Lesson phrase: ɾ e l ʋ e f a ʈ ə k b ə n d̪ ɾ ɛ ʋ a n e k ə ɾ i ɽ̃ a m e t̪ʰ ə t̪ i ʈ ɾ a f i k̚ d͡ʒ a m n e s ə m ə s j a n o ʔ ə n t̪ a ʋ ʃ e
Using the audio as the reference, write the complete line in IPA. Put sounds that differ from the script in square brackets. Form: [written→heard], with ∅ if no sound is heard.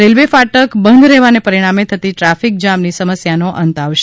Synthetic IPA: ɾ e l ʋ e f a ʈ ə k b ə n d̪ ɾ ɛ ʋ a n e [k→p] ə ɾ i ɽ̃ a m e t̪ʰ ə t̪ i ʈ ɾ a f i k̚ d͡ʒ a m n [e→i] s ə m ə s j a n o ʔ ə n t̪ a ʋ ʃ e